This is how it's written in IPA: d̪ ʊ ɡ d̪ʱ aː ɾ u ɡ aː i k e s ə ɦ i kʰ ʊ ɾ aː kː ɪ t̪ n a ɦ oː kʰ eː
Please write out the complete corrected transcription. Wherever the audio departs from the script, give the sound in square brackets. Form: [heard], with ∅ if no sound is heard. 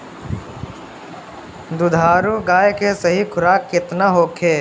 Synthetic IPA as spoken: d̪ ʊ [∅] d̪ʱ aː ɾ u ɡ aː [j] k e s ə ɦ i kʰ ʊ ɾ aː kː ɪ t̪ n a ɦ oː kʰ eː